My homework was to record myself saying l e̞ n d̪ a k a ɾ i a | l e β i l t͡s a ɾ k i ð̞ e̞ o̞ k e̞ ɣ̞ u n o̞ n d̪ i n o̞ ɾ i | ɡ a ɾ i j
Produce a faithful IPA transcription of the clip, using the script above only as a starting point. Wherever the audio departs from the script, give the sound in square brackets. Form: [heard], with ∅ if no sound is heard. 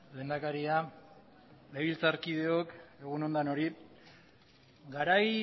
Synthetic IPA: l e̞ n d̪ a k a ɾ i a | l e β i l t͡s a ɾ k i ð̞ e̞ o̞ k e̞ ɣ̞ u n o̞ n d̪ [a] n o̞ ɾ i | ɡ a ɾ [a] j